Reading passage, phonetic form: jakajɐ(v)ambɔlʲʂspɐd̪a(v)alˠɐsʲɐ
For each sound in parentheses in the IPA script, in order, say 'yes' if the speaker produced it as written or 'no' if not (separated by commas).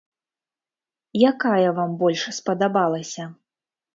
yes, no